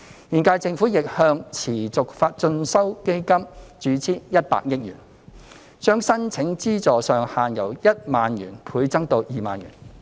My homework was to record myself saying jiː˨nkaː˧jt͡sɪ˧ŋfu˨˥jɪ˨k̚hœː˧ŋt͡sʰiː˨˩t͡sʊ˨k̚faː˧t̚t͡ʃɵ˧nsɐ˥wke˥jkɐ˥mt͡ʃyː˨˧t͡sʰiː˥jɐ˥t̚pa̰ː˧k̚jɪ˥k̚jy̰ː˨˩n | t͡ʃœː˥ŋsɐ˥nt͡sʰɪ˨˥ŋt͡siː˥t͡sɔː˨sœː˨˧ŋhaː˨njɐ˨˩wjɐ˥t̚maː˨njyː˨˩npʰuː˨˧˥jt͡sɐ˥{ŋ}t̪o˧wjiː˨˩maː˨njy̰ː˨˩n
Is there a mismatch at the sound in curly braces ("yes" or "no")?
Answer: no